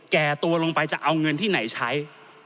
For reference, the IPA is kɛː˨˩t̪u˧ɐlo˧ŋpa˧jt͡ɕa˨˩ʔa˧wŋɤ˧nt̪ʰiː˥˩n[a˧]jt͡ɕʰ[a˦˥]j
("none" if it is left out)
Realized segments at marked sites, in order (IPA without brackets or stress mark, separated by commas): a˩˦, a˦˥